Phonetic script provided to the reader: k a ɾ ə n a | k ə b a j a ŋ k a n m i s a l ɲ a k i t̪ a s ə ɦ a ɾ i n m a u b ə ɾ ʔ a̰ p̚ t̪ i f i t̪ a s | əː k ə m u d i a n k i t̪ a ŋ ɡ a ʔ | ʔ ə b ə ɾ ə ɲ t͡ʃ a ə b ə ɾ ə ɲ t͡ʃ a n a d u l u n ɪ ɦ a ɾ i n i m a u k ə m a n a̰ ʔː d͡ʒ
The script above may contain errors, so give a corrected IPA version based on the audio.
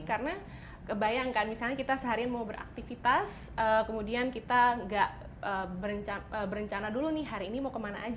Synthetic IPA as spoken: k a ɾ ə n a | k ə b a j a ŋ k a n m i s a l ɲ a k i t̪ a s ə ɦ a ɾ i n m a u b ə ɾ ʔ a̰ k̚ t̪ i f i t̪ a s | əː k ə m u d i a n k i t̪ a ŋ ɡ a ʔ | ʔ ə b ə ɾ ə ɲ t͡ʃ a ə b ə ɾ ə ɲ t͡ʃ a n a d u l u n ɪ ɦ a ɾ iː n i m a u k ə m a n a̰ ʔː d͡ʒ